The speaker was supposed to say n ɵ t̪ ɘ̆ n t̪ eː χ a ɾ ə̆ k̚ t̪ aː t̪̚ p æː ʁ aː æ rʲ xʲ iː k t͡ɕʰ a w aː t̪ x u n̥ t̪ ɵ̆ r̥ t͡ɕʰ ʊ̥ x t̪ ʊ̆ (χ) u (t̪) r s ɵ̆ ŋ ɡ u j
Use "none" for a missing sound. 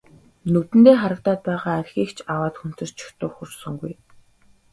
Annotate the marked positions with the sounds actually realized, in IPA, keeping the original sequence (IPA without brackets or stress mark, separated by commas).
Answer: x, none